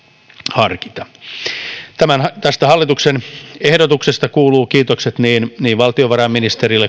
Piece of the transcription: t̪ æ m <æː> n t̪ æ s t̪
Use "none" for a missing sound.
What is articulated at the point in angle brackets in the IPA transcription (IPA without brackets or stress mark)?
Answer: æ